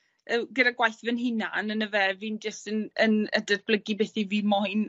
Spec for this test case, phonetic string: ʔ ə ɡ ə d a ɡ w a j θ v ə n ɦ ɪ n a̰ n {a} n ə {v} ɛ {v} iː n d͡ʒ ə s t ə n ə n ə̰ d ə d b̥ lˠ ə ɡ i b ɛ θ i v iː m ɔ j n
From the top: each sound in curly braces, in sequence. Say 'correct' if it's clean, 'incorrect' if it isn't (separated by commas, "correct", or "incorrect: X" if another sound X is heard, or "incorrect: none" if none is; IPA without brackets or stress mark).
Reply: incorrect: ə, correct, correct